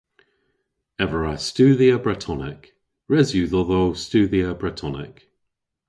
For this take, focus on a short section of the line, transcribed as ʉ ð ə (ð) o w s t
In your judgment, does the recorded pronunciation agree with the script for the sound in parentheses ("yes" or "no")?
yes